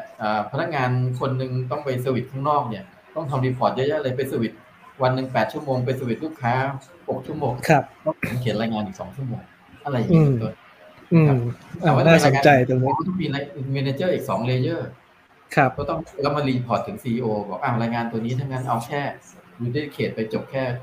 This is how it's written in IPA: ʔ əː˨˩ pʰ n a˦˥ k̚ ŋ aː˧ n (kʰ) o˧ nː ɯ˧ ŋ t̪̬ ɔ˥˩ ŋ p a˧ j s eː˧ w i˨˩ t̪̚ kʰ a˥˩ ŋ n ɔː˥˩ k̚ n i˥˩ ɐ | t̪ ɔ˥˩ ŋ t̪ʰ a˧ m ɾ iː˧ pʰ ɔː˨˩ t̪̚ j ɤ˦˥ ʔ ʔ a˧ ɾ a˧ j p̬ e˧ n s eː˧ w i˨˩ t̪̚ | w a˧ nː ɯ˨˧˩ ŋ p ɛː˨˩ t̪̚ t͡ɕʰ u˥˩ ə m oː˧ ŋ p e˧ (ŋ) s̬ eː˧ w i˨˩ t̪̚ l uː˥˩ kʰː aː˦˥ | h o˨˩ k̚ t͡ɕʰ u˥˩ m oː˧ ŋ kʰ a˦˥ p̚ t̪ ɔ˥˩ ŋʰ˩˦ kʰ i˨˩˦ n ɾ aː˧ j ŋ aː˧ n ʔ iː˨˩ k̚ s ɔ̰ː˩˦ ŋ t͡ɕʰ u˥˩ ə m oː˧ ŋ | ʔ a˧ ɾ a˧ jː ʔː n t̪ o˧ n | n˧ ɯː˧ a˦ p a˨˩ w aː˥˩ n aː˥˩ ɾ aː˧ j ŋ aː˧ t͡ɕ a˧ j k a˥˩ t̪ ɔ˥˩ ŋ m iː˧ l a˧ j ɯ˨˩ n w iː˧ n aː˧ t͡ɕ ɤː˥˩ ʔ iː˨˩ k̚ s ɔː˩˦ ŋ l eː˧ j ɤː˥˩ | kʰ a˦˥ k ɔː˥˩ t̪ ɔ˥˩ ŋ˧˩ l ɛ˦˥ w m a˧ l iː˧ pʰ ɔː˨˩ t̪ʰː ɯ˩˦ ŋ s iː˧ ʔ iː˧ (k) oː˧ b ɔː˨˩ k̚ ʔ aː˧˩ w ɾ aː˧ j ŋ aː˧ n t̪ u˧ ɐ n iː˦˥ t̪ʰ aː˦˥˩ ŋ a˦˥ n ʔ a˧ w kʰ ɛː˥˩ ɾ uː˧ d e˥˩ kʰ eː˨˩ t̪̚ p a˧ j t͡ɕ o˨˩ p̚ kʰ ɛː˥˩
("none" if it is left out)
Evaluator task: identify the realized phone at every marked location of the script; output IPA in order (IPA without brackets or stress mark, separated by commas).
kʰ, n, ʔ